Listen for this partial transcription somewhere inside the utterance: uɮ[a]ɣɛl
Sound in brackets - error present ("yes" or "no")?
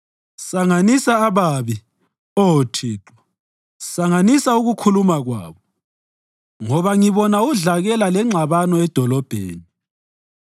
no